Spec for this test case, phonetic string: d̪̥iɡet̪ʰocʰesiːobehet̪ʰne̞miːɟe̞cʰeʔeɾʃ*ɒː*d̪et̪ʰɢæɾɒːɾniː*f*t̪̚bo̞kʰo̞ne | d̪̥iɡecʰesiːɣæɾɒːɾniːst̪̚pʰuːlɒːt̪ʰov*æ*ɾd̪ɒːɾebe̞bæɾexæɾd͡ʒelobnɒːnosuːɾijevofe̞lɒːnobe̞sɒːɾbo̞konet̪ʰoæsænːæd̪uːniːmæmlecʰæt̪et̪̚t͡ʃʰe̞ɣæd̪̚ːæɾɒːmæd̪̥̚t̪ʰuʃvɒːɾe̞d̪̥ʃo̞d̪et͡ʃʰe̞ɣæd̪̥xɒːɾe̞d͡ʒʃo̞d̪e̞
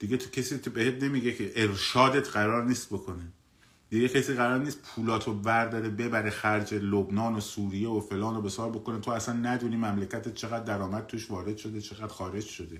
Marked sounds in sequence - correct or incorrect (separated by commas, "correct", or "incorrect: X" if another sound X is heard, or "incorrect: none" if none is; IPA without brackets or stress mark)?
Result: correct, incorrect: s, correct